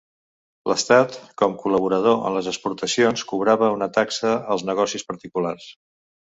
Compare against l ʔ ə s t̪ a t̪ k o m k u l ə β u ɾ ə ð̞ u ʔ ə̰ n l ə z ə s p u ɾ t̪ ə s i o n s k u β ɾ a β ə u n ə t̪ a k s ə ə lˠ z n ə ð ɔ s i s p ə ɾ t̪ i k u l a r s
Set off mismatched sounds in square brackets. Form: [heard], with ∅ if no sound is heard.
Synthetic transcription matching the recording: l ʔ ə s t̪ a t̪ k [ɔ] m k u l ə β u ɾ ə ð̞ [o] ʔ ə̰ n l ə z ə s p u ɾ t̪ ə s i o n s k u β ɾ a β ə u n ə t̪ a k s ə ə lˠ z n ə [ɣ] ɔ s i s p ə ɾ t̪ i k u l a r s